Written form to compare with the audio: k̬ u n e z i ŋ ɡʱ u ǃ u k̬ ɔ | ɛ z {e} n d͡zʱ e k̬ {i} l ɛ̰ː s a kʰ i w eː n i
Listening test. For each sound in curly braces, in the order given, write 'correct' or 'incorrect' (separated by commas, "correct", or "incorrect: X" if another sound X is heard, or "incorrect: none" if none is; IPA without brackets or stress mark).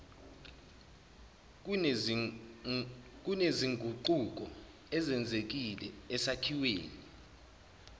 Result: incorrect: ɛ, correct